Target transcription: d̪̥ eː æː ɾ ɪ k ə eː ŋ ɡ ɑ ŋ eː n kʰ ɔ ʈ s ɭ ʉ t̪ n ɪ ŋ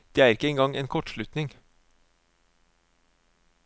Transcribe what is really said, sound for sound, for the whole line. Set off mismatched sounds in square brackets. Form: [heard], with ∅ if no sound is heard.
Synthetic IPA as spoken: d̪̥ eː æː ɾ ɪ k ə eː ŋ ɡ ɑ ŋ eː n kʰ ɔ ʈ [ʃ] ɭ ʉ t̪ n ɪ ŋ